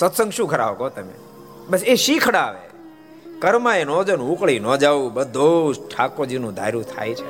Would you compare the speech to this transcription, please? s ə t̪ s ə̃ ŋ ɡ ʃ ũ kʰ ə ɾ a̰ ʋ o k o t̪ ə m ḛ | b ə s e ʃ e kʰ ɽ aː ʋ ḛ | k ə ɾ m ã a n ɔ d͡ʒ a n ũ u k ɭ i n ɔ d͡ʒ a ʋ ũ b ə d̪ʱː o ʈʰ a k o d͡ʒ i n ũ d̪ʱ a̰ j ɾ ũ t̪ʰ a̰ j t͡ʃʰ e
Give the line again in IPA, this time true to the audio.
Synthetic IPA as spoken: s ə t̪ s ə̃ ŋ ɡ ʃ ũ kʰ ə ɾ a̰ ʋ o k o t̪ ə m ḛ | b ə s e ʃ i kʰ ɽ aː ʋ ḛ | k ə ɾ m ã e n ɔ d͡ʒ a n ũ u k ɭ i n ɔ d͡ʒ a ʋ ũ b ə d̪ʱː o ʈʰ a k o d͡ʒ i n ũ d̪ʱ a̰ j ɾ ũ t̪ʰ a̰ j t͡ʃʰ e